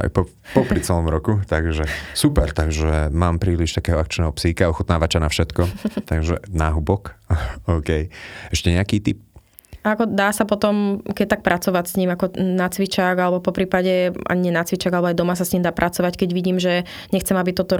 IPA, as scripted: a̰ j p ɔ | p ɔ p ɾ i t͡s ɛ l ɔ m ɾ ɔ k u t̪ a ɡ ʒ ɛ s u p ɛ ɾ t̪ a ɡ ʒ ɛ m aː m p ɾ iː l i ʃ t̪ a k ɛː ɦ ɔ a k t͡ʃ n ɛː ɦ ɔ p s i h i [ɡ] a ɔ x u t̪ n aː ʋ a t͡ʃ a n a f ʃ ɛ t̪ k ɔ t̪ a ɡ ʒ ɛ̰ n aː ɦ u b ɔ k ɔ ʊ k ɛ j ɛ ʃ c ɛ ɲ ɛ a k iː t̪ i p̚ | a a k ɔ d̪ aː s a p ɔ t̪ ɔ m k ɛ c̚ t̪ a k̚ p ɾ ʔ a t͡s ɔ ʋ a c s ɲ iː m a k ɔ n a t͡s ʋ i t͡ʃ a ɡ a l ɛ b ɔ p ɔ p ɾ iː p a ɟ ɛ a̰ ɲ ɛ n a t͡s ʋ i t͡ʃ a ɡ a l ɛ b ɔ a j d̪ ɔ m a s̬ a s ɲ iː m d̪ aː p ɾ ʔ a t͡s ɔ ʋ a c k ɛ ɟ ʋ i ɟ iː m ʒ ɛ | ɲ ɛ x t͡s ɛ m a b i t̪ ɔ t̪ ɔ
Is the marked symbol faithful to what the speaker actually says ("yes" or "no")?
no